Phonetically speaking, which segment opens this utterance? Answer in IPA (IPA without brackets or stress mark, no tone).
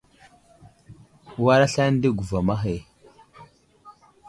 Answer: w